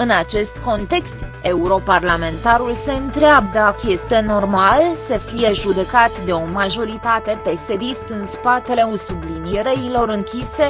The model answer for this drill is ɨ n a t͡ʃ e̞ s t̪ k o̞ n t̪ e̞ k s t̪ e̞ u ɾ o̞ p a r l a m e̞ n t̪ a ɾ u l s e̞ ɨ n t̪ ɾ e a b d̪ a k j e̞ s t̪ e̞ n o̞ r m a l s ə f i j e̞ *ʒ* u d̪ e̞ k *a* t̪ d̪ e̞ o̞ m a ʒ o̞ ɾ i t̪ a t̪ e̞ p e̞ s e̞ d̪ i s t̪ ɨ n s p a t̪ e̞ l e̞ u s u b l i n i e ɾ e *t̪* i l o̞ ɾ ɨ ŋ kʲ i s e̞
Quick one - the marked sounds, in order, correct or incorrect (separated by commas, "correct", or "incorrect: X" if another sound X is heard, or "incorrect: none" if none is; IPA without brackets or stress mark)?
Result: correct, correct, incorrect: none